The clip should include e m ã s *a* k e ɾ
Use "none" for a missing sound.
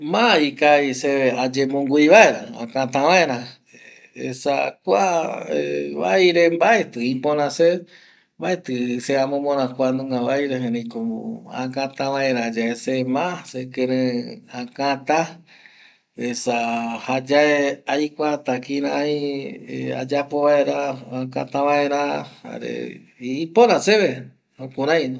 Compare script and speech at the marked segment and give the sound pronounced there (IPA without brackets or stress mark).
e